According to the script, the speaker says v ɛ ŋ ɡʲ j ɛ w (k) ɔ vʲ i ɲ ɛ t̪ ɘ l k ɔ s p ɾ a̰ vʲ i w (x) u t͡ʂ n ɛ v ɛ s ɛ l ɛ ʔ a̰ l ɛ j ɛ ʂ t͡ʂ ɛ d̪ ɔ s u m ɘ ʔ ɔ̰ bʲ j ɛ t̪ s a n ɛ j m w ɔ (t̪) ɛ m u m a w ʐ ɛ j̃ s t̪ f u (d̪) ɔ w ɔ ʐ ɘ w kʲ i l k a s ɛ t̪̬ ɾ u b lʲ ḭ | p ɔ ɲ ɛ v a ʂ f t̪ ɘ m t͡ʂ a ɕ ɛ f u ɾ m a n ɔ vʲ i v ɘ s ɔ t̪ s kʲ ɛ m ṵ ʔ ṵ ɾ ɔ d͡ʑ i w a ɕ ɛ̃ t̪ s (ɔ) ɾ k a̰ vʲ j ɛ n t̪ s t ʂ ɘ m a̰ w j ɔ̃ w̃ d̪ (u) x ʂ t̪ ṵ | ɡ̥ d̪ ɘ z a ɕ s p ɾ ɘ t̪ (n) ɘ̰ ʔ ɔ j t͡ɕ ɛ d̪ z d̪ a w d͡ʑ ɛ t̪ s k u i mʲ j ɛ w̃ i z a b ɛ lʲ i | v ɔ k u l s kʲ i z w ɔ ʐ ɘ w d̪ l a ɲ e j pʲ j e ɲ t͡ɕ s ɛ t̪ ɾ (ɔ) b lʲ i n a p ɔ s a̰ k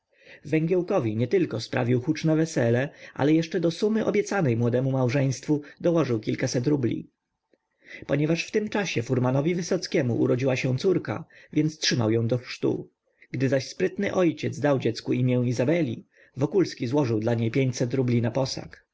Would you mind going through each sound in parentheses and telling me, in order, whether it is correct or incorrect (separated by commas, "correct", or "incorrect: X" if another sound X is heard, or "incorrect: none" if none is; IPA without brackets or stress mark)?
correct, correct, incorrect: d̪, correct, incorrect: u, incorrect: ɔ, correct, incorrect: u